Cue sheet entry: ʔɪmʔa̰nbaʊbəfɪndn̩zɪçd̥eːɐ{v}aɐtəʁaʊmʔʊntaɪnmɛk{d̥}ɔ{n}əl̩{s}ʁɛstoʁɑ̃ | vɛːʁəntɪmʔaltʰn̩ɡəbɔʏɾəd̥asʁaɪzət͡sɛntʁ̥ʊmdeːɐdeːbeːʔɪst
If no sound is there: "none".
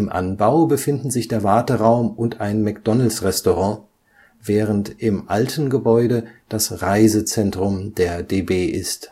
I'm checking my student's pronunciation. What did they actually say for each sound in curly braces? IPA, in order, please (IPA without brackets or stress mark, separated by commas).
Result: v, d̥, n, s